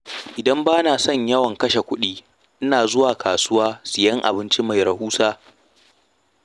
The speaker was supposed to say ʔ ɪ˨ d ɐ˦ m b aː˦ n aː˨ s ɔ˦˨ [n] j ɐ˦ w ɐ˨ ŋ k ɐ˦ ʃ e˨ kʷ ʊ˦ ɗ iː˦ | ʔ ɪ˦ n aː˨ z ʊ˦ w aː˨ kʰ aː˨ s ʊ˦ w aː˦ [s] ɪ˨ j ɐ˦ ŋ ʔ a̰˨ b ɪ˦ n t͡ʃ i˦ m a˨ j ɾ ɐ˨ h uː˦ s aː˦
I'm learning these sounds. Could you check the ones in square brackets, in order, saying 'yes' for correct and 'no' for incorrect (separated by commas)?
no, yes